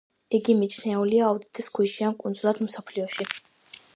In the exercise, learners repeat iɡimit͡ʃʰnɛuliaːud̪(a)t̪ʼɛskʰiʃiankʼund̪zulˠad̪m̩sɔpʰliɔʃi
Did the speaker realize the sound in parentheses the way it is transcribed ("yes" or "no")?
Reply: no